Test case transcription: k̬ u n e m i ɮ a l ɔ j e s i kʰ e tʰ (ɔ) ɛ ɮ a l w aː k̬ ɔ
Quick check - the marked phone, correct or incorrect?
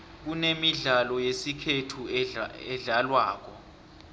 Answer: incorrect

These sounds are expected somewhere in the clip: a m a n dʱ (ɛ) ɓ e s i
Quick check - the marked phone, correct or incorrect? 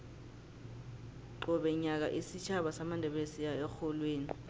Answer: correct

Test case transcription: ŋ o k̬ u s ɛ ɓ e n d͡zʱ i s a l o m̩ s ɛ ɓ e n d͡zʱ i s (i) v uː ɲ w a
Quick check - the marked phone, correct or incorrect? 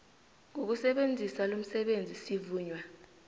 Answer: correct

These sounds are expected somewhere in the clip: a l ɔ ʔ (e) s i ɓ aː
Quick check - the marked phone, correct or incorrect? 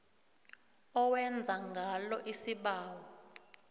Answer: incorrect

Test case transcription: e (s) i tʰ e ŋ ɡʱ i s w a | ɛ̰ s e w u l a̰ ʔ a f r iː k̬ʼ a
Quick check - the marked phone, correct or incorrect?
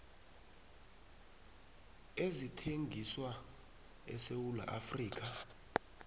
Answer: incorrect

